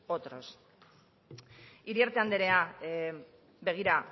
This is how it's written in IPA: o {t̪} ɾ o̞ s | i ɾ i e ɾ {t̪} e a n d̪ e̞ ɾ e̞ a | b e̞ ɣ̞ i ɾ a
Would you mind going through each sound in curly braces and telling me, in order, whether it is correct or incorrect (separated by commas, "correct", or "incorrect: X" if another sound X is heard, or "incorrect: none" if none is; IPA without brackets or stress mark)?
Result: correct, correct